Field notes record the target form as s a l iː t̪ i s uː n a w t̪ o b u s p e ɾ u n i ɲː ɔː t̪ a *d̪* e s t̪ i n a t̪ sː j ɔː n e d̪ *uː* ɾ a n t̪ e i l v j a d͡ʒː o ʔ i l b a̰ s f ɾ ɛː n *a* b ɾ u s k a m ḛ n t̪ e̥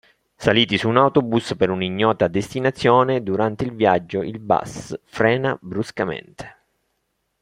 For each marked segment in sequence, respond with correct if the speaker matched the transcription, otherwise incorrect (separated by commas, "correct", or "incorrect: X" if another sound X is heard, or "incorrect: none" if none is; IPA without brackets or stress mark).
correct, incorrect: u, correct